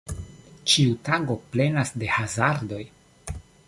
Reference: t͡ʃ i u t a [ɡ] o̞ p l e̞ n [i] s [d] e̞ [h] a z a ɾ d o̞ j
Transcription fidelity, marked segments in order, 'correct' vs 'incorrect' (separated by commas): correct, incorrect, correct, correct